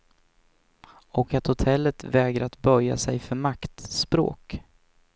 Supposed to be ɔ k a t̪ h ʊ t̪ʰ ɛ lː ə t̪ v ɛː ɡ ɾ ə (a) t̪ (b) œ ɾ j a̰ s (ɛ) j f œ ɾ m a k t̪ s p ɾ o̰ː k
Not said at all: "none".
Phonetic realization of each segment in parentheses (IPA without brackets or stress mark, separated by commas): a, b, ɛ